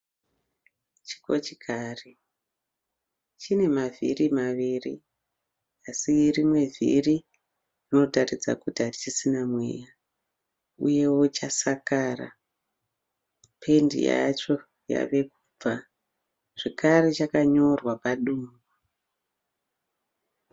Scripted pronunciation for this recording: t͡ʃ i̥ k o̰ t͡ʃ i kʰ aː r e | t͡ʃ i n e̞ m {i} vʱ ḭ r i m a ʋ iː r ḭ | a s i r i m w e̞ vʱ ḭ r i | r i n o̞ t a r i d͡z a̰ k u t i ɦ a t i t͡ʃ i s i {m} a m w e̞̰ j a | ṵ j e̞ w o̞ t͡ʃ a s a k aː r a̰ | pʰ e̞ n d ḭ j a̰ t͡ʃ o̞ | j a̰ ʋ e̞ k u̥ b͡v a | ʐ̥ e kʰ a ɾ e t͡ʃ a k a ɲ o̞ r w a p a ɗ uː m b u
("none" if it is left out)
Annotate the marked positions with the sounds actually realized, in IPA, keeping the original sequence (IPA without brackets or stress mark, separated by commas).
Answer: a, n